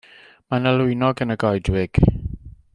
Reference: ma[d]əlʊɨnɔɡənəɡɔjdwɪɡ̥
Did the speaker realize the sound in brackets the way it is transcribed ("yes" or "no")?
no